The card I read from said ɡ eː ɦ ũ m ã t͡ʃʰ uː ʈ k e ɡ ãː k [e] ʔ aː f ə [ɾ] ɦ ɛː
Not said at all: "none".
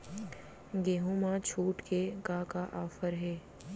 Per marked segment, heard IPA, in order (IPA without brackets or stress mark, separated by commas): a, ɾ